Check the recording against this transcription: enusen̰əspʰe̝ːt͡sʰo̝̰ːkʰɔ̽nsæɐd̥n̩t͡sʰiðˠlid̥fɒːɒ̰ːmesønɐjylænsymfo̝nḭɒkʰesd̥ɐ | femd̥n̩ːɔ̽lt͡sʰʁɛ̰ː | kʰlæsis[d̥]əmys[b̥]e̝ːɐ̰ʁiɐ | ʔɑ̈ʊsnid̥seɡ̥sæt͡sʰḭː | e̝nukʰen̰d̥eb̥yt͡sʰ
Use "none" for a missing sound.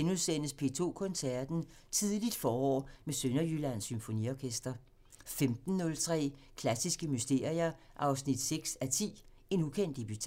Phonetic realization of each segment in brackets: ɡ̥, d̥

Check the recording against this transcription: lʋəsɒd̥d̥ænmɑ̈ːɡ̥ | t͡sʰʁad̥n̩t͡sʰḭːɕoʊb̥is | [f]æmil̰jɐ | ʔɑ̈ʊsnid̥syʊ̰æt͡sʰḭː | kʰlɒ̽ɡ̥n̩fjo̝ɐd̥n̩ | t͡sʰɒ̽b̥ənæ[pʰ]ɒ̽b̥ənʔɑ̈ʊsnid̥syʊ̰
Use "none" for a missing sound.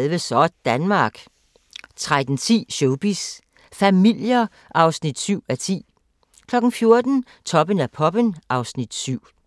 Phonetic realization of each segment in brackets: f, pʰ

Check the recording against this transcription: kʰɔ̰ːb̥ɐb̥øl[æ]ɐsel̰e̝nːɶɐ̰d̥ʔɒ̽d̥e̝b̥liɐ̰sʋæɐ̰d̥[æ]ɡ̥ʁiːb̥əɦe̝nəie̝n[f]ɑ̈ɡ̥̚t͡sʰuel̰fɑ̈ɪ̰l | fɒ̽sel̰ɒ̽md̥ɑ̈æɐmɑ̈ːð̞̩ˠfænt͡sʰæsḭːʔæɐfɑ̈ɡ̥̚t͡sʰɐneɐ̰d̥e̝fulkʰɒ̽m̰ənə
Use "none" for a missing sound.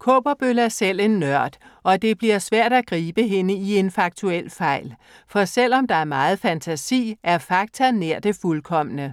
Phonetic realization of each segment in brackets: æ, æ, f

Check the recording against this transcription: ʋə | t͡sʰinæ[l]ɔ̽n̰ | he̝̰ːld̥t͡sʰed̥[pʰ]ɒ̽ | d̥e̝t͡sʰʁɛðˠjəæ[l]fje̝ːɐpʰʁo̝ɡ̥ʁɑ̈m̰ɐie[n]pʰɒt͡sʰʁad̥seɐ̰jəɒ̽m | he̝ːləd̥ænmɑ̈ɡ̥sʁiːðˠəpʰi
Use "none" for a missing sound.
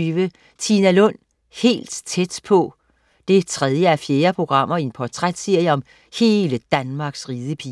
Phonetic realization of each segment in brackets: l, pʰ, none, n

